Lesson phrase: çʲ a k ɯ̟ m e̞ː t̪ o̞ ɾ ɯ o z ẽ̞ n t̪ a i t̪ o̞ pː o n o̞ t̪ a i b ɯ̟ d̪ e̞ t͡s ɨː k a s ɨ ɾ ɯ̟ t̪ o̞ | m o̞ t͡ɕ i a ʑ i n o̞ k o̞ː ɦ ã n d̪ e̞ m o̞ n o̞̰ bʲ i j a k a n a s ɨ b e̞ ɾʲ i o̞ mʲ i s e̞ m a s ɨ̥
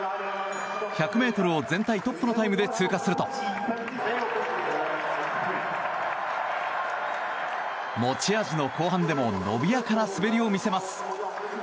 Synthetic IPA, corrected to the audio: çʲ a k ɯ̟ m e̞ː t̪ o̞ ɾ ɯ o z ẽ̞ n t̪ a i t̪ o̞ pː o n o̞ t̪ a i m ɯ̟ d̪ e̞ t͡s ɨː k a s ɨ ɾ ɯ̟ t̪ o̞ | m o̞ t͡ɕ i a ʑ i n o̞ k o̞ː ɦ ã n d̪ e̞ m o̞ n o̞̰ bʲ i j a k a n a s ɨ b e̞ ɾʲ i o̞ mʲ i s e̞ m a s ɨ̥